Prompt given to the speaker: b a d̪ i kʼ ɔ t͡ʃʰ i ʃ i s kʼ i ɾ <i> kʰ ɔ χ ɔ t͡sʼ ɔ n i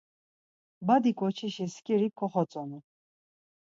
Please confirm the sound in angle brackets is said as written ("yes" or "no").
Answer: yes